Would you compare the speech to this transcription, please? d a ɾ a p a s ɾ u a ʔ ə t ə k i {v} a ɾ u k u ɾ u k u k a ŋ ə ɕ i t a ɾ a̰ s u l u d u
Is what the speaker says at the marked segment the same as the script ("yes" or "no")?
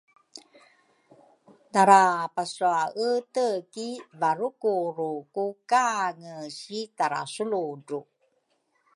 yes